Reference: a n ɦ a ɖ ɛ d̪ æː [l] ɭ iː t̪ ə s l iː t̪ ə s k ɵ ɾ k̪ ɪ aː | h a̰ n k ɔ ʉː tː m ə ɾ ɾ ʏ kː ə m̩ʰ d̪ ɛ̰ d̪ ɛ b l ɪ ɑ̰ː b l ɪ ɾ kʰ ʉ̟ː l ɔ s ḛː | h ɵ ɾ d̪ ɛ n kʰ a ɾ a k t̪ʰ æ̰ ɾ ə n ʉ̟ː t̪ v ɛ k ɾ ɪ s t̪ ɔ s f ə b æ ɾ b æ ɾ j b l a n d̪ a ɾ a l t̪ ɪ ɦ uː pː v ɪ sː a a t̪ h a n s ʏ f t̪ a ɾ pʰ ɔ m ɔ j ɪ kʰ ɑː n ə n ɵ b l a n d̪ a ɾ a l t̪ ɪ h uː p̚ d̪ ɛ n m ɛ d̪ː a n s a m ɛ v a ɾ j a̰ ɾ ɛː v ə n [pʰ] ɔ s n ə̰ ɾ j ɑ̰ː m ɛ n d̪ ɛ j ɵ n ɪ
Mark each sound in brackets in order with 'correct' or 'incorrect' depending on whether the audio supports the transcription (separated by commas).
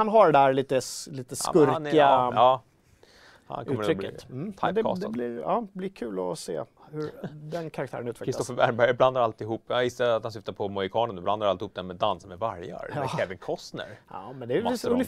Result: incorrect, incorrect